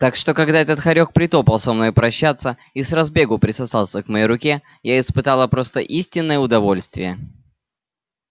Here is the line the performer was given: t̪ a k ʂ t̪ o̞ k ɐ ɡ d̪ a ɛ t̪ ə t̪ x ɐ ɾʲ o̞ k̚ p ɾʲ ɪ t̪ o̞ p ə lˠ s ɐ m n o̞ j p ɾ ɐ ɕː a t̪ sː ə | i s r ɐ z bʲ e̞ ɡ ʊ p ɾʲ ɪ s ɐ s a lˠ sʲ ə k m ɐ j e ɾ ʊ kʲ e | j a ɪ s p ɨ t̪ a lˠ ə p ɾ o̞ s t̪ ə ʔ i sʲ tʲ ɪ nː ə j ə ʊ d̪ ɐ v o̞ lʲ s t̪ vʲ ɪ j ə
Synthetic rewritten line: t̪ a k ʂ t̪ o̞ k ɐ ɡ d̪ a ɛ t̪ ə t̪ x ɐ ɾʲ o̞ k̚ p ɾʲ ɪ t̪ o̞ p ə lˠ s ɐ m n o̞ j p ɾ ɐ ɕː a t̪ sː ə | i s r ɐ z bʲ e̞ ɡ ʊ p ɾʲ ɪ s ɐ s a lˠ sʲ ə k m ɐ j e ɾ ʊ kʲ e | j a ɪ s p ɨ t̪ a lˠ ə p ɾ o̞ s t̪ ə ʔ i sʲ tʲ ɪ nː ə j ə ʊ d̪ ɐ v o̞ lʲ s t̪ vʲ ɪ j ə